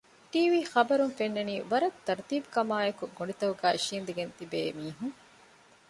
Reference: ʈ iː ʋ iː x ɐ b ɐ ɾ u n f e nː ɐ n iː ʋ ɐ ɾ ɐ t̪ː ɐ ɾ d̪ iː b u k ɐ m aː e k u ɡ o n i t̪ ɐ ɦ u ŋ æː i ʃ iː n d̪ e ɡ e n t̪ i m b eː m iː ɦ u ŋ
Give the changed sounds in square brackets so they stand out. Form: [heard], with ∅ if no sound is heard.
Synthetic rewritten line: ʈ iː ʋ iː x ɐ b ɐ ɾ u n f e nː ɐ n iː ʋ ɐ ɾ ɐ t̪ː ɐ ɾ [t̪] iː b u k ɐ m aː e k u ɡ o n i t̪ ɐ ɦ u [ɡ] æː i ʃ iː n d̪ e ɡ e n t̪ i [∅] b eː m iː ɦ u ŋ

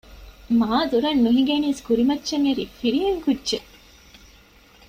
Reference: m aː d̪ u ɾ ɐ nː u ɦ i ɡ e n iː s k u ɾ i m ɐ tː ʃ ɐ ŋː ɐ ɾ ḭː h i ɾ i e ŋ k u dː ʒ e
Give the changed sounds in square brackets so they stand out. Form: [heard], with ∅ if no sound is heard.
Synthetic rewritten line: m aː d̪ u ɾ ɐ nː u ɦ i ɡ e n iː s k u ɾ i m ɐ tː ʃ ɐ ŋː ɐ ɾ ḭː [f] i ɾ i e ŋ k u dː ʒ e

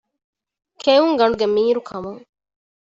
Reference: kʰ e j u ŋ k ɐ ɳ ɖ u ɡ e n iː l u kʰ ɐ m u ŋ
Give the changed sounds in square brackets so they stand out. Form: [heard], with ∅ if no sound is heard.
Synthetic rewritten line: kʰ e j u ŋ [ɡ] ɐ ɳ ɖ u ɡ e [m] iː [ɾ] u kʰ ɐ m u ŋ

